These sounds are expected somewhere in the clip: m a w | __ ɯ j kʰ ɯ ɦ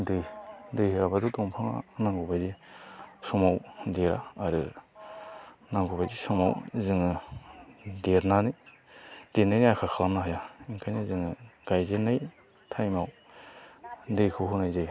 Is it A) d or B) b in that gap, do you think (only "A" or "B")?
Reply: A